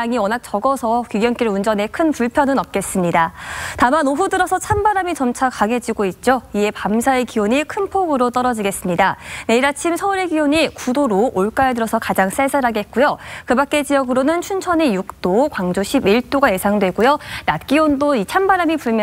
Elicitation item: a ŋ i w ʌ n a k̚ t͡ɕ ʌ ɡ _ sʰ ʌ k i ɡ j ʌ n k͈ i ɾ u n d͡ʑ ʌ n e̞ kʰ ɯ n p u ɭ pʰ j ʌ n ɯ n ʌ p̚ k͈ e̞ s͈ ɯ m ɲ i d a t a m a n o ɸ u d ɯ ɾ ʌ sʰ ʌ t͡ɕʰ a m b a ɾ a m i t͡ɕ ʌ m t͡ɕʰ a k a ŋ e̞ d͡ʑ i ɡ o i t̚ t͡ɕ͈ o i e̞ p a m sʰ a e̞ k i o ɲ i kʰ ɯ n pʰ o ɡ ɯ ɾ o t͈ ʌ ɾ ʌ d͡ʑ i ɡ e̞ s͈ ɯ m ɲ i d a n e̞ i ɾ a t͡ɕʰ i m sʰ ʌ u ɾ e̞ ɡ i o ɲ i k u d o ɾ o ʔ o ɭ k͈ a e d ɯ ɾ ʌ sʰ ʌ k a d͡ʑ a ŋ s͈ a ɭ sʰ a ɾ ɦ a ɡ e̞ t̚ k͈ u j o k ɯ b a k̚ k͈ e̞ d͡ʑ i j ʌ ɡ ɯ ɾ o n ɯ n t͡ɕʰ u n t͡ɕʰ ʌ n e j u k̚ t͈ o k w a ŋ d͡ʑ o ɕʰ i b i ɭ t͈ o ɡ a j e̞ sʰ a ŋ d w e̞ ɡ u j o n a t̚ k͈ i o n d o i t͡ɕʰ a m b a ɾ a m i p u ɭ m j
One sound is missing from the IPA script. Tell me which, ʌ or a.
ʌ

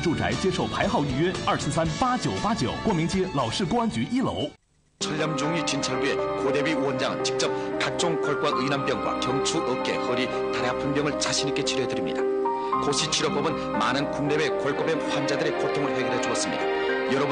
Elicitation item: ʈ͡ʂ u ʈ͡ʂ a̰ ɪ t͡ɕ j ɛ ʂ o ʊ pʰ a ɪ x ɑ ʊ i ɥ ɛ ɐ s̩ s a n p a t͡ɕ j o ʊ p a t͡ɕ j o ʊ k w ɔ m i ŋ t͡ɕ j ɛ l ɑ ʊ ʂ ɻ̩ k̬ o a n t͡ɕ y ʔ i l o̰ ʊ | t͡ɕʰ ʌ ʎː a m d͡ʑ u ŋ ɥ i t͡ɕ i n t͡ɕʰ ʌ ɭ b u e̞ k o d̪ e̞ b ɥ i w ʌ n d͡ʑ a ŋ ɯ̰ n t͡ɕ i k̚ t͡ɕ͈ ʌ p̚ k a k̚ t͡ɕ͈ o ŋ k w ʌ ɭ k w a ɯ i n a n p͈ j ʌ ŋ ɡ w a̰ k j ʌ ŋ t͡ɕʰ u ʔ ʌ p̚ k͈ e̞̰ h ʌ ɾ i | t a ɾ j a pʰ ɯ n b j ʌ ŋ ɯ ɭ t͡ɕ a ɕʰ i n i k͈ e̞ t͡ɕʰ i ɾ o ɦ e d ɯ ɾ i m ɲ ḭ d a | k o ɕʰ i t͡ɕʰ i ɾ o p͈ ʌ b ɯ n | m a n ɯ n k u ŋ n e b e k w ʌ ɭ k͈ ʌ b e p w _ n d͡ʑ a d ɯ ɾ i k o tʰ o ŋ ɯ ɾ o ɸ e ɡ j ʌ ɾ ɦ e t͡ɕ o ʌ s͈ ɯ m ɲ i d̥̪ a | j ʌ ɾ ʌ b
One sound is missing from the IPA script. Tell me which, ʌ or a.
a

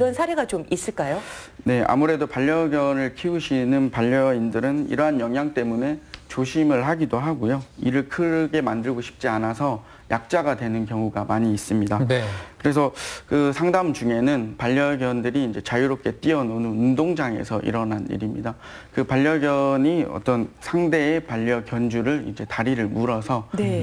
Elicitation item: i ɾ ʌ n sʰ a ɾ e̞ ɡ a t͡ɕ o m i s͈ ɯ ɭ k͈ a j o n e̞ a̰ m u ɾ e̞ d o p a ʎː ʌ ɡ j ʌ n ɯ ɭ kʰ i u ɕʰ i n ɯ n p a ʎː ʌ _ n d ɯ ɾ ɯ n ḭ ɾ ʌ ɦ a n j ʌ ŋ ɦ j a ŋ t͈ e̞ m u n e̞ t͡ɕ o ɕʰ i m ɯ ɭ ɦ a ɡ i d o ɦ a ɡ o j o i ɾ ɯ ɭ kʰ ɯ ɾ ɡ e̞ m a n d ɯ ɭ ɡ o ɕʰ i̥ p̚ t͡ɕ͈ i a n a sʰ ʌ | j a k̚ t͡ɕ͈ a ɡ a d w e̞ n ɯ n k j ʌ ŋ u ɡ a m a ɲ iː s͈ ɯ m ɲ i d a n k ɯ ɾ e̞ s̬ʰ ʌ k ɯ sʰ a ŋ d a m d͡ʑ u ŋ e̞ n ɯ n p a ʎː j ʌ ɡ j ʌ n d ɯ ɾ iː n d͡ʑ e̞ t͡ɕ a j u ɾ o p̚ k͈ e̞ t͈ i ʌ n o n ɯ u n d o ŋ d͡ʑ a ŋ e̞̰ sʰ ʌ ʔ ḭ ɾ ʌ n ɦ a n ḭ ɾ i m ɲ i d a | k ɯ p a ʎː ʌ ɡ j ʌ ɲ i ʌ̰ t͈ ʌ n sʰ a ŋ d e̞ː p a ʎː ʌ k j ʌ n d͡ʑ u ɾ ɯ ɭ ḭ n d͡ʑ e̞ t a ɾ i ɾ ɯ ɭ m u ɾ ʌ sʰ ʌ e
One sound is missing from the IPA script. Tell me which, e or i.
i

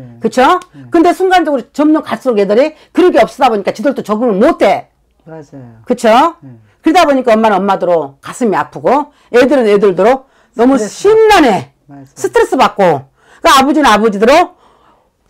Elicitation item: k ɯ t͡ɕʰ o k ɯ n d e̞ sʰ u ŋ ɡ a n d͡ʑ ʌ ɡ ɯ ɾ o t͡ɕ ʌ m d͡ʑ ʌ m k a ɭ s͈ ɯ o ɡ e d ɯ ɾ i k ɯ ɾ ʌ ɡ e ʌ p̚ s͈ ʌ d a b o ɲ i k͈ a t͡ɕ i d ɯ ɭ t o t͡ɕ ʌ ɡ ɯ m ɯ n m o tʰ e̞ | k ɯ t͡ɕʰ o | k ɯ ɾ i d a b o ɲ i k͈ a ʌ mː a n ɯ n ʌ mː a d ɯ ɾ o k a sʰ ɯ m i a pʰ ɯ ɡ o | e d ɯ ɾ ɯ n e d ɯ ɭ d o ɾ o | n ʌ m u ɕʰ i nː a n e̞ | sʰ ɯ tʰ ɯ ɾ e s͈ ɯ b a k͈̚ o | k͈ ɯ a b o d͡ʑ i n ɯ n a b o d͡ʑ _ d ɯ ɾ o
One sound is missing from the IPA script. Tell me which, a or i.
i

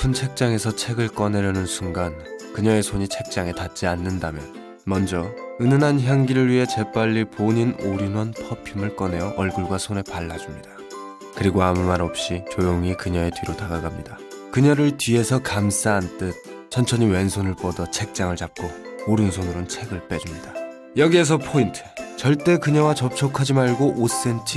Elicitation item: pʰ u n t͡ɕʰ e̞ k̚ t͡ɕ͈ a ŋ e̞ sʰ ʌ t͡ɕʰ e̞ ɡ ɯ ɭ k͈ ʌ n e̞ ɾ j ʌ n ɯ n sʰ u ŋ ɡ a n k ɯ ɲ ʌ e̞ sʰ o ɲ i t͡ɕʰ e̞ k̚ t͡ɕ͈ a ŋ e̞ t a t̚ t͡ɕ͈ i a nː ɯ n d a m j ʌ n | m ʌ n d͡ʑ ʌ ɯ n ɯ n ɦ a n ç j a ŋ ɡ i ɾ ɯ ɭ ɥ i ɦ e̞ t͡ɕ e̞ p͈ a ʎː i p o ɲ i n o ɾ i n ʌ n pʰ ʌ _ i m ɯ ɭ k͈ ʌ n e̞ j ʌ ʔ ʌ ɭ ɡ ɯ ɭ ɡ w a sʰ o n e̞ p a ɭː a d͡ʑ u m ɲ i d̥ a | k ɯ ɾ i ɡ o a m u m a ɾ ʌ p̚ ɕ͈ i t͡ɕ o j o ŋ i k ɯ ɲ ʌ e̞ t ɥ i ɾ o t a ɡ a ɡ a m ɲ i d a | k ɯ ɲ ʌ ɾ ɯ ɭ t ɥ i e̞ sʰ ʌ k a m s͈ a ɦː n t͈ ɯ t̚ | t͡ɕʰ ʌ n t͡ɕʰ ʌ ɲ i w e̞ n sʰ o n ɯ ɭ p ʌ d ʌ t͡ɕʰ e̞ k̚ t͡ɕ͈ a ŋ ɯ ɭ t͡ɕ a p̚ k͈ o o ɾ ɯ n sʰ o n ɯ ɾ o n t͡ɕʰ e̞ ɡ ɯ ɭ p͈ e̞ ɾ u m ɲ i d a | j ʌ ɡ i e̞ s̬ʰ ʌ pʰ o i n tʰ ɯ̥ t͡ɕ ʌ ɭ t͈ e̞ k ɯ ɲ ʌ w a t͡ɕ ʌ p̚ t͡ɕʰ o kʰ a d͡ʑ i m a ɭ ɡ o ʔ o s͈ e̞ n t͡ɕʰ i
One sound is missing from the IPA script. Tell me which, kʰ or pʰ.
pʰ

